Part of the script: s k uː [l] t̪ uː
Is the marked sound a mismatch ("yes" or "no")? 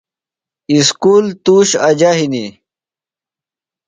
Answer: no